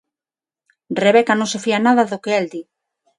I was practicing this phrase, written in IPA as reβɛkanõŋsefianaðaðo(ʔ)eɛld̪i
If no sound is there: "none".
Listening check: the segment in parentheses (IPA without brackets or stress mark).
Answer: k